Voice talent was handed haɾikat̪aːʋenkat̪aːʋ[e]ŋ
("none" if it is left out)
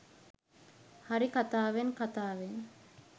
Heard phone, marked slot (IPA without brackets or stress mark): e